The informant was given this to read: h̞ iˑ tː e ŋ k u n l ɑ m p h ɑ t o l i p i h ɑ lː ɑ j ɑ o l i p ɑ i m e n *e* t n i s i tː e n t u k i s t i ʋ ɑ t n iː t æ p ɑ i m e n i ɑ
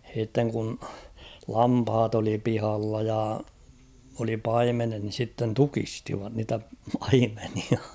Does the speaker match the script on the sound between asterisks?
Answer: yes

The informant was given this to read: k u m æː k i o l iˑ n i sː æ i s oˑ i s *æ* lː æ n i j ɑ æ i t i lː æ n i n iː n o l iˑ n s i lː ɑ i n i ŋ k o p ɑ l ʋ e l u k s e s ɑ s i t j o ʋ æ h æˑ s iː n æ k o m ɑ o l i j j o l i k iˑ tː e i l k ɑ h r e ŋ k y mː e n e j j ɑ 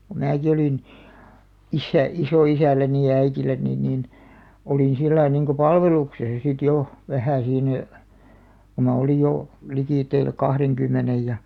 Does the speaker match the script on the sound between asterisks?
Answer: yes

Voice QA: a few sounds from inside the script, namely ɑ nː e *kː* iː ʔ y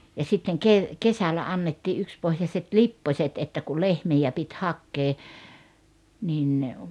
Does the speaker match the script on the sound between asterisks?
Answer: no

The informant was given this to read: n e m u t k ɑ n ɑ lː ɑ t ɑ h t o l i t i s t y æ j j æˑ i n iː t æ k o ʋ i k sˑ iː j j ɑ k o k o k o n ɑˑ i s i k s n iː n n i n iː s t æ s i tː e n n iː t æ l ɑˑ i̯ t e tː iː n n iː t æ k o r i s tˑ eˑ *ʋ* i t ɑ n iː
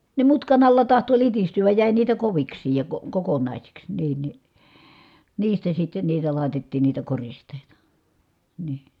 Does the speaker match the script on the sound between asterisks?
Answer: no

